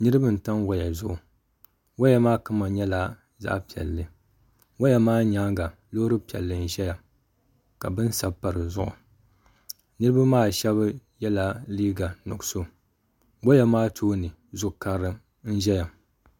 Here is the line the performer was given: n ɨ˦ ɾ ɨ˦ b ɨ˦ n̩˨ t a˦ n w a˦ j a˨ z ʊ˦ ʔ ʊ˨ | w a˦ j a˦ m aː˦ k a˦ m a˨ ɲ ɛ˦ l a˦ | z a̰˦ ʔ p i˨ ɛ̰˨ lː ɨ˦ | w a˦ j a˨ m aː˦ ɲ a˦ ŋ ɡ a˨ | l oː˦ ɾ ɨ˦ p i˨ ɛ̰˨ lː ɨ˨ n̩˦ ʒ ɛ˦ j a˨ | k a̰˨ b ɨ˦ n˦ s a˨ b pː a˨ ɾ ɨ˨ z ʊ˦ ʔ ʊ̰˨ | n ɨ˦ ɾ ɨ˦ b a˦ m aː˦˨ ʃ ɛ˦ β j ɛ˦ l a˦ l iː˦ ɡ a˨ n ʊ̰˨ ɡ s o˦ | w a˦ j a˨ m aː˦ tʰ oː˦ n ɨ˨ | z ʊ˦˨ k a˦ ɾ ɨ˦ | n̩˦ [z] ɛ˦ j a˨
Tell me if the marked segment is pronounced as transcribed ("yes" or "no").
no